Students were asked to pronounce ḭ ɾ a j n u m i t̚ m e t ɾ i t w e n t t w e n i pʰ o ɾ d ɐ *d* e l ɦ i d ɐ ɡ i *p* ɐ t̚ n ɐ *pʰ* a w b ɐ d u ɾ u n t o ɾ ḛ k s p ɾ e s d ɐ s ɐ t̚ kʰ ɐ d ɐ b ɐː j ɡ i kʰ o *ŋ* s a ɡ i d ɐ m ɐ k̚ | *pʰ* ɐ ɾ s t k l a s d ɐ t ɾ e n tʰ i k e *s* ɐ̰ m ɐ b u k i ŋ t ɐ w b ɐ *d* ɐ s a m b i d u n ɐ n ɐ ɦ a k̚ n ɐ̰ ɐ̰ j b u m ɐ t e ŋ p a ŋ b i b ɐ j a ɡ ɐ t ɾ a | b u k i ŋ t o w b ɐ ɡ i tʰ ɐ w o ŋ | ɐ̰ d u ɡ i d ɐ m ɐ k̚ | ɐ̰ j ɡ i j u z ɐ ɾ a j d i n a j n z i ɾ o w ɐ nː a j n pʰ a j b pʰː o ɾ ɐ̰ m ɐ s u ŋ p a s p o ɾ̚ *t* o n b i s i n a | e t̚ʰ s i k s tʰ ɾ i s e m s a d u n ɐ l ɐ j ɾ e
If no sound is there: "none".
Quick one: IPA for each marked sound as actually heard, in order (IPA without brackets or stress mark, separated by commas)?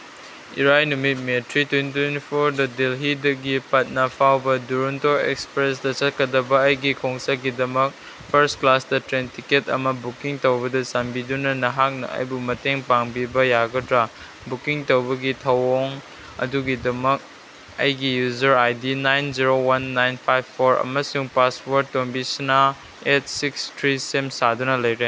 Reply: d, p, pʰ, ŋ, pʰ, t, d, t